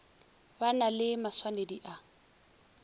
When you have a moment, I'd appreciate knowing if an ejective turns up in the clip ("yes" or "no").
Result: no